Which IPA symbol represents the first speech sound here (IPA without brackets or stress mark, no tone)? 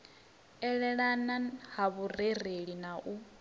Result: ɛ